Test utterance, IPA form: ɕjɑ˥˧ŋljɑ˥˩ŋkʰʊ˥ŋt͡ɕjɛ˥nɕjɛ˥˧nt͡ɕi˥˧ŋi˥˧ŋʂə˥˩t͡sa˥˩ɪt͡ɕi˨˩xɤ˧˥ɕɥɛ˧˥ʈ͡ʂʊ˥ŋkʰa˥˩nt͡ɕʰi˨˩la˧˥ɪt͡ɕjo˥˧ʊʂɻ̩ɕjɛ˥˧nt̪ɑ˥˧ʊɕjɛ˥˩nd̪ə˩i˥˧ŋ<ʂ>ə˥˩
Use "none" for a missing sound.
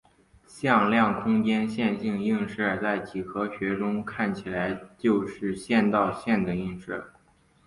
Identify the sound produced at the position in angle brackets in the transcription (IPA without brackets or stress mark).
ʂ